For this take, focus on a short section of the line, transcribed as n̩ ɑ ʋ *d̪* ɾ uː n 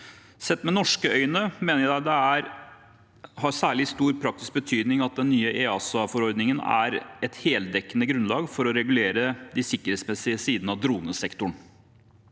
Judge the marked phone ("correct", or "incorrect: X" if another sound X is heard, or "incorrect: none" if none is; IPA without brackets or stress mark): correct